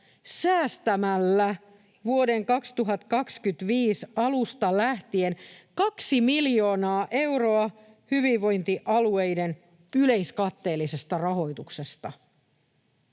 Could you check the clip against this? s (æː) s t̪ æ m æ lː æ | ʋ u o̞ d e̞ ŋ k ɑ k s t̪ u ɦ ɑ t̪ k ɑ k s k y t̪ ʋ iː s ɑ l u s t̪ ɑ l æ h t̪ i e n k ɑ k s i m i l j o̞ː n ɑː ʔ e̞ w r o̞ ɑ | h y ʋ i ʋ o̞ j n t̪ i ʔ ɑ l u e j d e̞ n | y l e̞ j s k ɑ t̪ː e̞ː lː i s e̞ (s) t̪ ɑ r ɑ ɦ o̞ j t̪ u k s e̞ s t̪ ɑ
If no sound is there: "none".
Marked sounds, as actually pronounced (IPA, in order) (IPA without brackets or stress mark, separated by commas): æː, s